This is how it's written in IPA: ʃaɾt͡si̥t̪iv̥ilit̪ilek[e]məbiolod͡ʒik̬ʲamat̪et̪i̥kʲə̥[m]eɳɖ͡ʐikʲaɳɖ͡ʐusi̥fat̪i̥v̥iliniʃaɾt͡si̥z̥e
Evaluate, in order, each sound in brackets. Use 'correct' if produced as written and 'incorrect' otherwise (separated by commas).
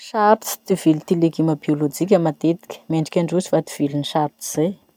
incorrect, correct